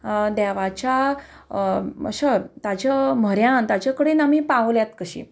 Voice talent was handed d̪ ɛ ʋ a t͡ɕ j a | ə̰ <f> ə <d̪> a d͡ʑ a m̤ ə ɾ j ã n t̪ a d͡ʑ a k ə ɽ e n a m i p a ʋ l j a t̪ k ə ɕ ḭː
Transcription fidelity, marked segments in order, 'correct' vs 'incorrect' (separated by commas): incorrect, incorrect